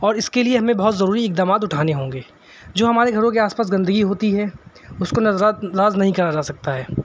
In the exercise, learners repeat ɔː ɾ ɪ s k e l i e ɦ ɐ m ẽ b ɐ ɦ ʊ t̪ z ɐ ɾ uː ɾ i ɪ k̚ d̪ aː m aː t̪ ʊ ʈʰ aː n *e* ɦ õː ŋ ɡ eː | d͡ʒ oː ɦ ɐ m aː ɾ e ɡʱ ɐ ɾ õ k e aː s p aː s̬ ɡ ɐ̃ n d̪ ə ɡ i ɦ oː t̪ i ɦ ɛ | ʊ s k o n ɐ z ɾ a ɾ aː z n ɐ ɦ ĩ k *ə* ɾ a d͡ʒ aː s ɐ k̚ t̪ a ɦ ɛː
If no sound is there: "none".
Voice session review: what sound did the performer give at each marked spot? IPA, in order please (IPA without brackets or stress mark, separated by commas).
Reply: e, ɐ